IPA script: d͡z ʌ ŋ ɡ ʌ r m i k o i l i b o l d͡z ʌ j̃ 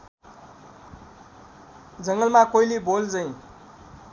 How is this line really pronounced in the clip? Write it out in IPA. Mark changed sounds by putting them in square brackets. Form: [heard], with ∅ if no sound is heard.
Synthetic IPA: d͡z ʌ ŋ ɡ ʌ [l] m [a] k o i l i b o l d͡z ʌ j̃